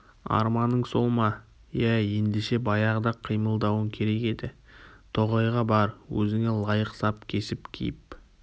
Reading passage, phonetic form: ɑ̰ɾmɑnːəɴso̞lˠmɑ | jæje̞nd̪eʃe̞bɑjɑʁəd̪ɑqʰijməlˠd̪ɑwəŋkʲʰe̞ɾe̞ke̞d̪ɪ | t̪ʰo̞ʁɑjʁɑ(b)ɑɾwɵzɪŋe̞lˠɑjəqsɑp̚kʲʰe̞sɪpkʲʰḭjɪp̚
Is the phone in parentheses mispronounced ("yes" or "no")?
no